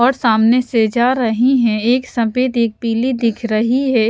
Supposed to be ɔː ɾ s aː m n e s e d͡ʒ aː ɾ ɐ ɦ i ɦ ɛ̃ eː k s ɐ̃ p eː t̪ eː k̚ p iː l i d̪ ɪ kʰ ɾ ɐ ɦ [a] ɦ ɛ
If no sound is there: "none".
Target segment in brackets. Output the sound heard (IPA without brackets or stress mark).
i